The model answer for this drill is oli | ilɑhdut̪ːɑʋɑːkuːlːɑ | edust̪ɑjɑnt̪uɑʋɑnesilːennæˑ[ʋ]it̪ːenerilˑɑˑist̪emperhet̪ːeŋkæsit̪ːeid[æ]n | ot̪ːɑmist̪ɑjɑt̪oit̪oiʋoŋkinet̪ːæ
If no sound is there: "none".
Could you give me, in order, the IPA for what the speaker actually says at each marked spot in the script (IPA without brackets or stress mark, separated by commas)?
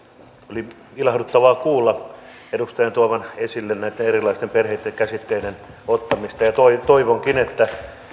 none, e